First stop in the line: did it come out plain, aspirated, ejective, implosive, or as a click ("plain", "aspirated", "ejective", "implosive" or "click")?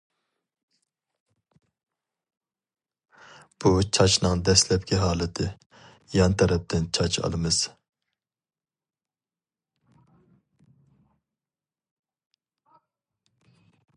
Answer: plain